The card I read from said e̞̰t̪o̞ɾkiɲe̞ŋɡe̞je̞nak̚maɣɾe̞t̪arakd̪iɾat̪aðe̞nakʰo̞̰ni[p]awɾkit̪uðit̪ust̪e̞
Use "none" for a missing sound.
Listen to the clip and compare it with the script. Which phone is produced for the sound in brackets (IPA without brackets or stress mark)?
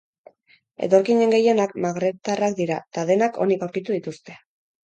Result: k